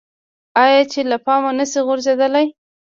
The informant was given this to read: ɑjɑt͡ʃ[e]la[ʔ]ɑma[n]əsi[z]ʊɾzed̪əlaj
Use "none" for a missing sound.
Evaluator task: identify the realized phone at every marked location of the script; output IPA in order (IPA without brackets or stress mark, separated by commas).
e, p, n, ɣ